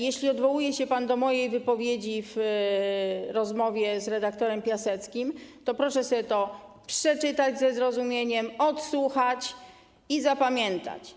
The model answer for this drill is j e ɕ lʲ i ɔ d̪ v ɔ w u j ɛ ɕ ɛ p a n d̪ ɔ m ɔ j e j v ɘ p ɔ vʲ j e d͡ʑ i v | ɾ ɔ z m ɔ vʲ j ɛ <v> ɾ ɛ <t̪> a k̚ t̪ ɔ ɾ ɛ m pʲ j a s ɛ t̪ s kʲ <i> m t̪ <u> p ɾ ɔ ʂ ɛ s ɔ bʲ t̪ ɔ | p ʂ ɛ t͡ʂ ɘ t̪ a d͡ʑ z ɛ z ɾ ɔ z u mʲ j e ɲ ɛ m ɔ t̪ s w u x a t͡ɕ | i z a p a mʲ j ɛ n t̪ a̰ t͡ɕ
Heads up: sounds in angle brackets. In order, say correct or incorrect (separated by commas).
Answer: incorrect, incorrect, correct, incorrect